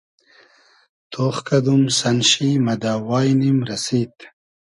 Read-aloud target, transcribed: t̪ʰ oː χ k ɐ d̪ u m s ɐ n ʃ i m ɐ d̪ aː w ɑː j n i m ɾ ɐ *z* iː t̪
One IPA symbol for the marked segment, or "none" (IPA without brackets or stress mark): s